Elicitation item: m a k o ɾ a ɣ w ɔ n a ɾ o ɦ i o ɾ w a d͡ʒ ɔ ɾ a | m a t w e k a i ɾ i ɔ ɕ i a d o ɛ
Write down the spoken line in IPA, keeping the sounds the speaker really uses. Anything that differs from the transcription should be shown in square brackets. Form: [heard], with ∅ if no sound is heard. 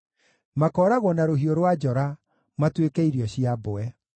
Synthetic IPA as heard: m a k [ɔ] ɾ a ɣ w ɔ n a ɾ o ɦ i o ɾ w a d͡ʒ ɔ ɾ a | m a t w e k [ɛ] i ɾ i ɔ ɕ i a [b] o ɛ